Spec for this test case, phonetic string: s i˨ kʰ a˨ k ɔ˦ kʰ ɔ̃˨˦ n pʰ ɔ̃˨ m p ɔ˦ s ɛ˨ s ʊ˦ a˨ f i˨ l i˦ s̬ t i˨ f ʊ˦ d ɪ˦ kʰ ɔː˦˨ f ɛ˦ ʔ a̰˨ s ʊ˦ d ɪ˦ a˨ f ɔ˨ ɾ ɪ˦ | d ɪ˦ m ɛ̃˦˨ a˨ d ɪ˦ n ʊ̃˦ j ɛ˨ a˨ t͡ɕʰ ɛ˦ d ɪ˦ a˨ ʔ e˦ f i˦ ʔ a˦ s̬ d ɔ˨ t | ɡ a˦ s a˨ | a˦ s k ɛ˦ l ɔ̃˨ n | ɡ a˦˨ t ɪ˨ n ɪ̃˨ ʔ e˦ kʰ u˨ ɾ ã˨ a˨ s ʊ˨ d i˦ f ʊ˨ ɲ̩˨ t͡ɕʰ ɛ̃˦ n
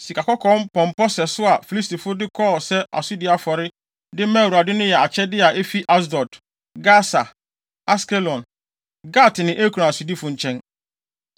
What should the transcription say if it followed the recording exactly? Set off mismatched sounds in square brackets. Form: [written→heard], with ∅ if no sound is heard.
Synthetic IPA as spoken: s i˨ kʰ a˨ k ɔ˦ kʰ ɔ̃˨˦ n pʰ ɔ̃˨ m p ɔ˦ s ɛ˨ s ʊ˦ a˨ f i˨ l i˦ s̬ t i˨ f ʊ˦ d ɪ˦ kʰ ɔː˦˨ [f→s] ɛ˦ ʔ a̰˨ s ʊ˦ d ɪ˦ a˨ f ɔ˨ ɾ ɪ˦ | d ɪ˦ m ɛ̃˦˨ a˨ d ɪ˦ n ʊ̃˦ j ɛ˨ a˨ t͡ɕʰ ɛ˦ d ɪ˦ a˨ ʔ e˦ f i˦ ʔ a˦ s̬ d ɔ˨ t | ɡ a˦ s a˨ | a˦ s k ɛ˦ l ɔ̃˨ n | ɡ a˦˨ t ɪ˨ n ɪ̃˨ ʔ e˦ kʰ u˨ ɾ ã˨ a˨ s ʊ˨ d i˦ f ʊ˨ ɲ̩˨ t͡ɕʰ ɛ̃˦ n